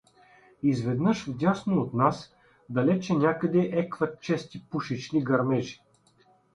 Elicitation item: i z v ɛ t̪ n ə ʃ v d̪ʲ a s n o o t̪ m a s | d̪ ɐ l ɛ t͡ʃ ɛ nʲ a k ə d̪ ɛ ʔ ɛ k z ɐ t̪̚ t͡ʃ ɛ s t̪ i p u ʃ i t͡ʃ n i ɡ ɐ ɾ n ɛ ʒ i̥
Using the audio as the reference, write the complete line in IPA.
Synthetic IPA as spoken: i z v ɛ d̪ n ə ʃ v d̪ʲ a s n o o t̪ n a s | d̪ ɐ l ɛ t͡ʃ ɛ nʲ a k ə d̪ ɛ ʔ ɛ k v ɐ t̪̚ t͡ʃ ɛ s t̪ i p u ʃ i t͡ʃ n i ɡ ɐ ɾ m ɛ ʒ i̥